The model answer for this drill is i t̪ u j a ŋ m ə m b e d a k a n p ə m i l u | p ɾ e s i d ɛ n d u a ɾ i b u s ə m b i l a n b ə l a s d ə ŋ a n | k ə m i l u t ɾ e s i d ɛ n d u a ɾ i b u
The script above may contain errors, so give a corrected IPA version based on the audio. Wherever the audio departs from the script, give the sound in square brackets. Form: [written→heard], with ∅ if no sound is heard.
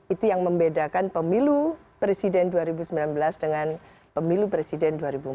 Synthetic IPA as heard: i t̪ u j a ŋ m ə m b e d a k a n p ə m i l u | p ɾ e s i d ɛ n d u a ɾ i b u s ə m b i l a n b ə l a s d ə ŋ a n | [k→p] ə m i l u [t→p] ɾ e s i d ɛ n d u a ɾ i b u